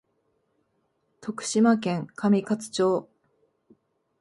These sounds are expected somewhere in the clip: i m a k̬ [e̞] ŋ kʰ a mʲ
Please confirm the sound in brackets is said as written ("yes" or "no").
no